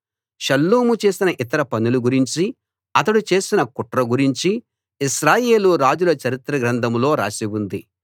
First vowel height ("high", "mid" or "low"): low